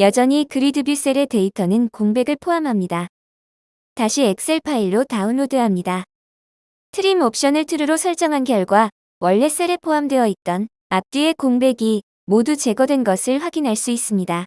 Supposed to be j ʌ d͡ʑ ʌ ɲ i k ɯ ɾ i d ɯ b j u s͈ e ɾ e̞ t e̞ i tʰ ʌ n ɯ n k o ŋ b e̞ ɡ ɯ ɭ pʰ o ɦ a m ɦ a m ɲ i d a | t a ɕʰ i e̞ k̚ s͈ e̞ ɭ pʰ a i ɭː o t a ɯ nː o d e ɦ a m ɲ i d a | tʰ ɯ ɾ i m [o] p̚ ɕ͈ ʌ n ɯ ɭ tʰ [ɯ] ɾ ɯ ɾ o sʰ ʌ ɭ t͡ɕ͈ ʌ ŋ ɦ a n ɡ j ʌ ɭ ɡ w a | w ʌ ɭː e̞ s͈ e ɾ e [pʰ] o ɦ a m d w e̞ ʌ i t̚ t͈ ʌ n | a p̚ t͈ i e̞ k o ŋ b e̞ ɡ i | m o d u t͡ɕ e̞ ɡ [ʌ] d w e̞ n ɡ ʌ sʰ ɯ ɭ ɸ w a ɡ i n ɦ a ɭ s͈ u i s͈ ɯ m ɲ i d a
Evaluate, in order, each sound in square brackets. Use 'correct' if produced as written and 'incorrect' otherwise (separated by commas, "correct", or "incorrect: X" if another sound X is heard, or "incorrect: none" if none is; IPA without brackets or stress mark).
correct, correct, correct, correct